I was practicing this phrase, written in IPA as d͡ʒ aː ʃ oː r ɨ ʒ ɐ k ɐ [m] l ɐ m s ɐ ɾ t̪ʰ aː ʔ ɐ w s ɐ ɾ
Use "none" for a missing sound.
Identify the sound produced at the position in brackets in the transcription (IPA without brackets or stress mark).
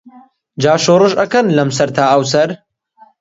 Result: n